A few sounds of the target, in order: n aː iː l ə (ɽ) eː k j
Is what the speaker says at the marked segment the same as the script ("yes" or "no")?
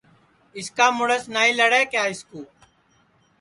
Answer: yes